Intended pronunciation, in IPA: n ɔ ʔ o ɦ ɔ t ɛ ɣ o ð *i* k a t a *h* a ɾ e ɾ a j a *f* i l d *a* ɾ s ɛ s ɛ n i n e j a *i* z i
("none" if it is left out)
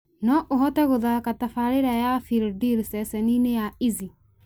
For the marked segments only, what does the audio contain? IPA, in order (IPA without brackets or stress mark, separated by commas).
a, f, f, i, i